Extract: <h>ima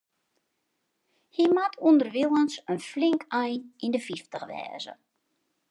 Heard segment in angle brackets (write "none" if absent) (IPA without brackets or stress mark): h